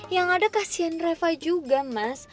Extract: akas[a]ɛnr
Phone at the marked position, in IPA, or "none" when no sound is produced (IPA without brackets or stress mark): i